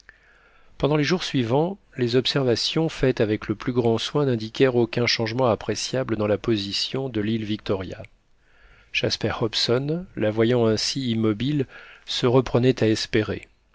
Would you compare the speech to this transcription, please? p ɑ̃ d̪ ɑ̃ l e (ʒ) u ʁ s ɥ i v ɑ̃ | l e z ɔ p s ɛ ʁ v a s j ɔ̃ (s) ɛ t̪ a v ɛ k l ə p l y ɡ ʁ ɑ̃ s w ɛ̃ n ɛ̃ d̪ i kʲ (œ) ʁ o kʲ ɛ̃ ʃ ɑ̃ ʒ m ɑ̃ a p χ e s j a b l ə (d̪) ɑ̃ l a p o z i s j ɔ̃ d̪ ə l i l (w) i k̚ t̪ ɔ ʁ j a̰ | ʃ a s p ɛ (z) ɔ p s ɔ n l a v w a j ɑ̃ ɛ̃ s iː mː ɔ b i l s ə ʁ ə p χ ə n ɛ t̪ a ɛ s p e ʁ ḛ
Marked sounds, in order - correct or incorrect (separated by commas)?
correct, incorrect, incorrect, correct, incorrect, incorrect